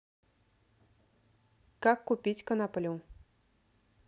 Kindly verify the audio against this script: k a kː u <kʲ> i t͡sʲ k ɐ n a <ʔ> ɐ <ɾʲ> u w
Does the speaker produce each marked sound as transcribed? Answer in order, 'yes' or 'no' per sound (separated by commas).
no, no, no